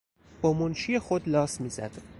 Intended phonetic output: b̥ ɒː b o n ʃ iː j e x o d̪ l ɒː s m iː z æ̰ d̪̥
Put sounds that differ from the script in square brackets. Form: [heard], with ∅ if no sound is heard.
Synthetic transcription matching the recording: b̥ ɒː [m] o n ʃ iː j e x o d̪ l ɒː s m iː z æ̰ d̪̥